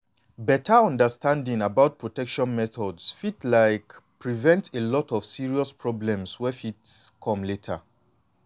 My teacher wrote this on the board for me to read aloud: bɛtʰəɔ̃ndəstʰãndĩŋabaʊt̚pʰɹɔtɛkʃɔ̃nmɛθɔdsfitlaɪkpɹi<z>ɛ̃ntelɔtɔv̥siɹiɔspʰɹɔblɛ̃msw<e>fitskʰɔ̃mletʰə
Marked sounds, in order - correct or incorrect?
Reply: incorrect: v, incorrect: ɛ

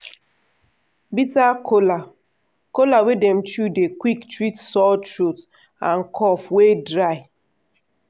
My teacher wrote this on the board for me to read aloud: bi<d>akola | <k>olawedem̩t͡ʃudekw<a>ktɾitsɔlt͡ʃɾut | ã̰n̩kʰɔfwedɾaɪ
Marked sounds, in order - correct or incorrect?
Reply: incorrect: t, correct, incorrect: i

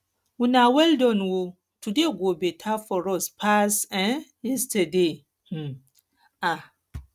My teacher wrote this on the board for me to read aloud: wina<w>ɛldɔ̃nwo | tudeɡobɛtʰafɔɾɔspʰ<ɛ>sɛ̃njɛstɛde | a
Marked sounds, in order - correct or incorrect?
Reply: correct, incorrect: a

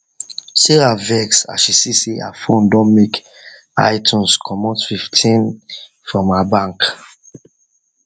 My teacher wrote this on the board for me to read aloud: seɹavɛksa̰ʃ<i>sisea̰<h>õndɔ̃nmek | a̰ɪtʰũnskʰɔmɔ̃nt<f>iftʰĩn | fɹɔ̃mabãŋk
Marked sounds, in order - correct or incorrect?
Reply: correct, incorrect: f, correct

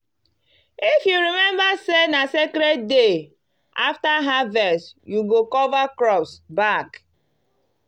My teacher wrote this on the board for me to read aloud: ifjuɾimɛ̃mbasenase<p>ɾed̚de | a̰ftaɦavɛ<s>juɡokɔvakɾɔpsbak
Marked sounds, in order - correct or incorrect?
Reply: incorrect: k, correct

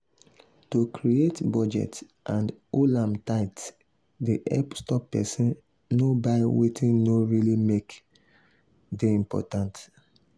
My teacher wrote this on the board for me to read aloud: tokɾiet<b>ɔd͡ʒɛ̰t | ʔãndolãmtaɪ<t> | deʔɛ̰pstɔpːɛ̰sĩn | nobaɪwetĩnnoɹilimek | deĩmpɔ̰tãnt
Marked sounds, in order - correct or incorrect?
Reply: correct, correct

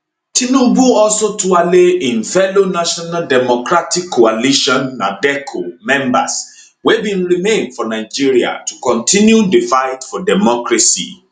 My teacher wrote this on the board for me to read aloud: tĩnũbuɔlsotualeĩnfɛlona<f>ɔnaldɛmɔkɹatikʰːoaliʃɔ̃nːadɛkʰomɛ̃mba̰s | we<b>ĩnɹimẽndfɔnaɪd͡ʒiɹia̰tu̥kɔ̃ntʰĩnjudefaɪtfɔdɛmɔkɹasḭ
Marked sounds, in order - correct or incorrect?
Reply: incorrect: ʃ, correct

